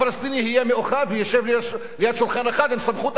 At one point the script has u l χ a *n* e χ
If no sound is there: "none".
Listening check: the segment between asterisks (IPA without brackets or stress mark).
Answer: n